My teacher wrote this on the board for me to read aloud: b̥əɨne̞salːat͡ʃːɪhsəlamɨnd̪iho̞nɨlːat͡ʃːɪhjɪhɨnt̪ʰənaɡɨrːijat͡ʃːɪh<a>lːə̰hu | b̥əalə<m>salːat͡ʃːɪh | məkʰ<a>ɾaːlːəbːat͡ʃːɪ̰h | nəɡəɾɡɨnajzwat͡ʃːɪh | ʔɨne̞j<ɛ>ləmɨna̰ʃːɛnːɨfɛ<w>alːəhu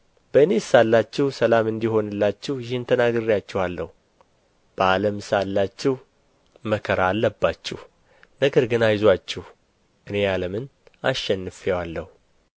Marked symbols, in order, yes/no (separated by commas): yes, yes, no, no, yes